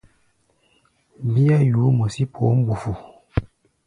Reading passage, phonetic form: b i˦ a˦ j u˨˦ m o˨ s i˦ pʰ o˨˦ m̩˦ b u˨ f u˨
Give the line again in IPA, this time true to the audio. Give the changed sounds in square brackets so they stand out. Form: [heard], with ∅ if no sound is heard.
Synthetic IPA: b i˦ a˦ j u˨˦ m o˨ s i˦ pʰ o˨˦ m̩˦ b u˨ f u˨

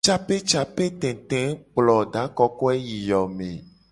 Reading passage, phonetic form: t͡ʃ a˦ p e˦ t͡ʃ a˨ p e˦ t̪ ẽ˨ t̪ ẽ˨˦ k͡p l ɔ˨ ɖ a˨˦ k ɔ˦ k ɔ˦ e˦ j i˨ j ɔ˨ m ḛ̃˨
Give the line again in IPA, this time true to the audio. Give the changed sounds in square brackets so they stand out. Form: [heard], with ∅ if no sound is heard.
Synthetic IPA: t͡ʃ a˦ p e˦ t͡ʃ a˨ p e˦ t̪ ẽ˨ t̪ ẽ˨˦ k͡p l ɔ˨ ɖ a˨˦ k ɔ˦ k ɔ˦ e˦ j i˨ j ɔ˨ m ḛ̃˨

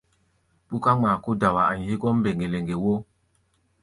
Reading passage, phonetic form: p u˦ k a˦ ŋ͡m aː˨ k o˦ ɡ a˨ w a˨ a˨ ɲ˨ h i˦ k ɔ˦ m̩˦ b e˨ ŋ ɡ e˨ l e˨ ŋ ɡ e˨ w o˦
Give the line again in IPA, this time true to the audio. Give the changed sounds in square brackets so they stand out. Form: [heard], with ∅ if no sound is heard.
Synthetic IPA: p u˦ k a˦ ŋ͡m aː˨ k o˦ [d] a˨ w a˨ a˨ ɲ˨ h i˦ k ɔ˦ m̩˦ b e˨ ŋ ɡ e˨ l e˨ ŋ ɡ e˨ w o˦

